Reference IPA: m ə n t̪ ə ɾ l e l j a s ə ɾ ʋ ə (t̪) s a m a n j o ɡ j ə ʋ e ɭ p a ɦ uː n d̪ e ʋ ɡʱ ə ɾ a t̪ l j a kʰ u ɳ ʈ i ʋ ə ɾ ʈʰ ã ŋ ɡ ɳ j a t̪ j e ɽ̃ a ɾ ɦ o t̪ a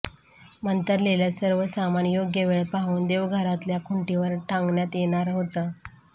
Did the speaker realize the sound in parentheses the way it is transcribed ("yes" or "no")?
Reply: no